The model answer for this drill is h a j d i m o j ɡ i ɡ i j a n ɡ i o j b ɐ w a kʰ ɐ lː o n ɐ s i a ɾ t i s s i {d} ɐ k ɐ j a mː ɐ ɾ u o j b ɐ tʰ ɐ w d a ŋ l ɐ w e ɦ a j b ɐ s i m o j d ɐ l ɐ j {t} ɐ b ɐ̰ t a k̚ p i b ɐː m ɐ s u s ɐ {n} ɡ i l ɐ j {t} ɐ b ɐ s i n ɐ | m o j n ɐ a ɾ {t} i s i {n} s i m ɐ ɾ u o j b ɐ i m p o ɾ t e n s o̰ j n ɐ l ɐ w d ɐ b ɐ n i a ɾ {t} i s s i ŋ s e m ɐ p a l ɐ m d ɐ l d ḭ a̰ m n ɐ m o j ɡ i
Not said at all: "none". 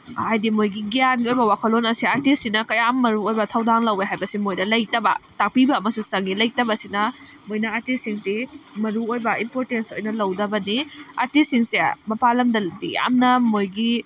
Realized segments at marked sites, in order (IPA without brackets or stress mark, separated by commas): n, t, ŋ, t, t, ŋ, t